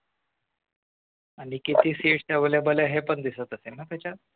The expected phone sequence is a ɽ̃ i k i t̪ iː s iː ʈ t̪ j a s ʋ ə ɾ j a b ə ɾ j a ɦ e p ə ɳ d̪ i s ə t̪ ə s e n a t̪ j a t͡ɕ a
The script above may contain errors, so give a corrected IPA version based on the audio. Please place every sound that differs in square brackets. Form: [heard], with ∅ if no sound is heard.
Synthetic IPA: a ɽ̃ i k i t̪ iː s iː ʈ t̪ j a [∅] ʋ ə [l] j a b ə [l] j a ɦ e p ə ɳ d̪ i s ə t̪ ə s e n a t̪ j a t͡ɕ a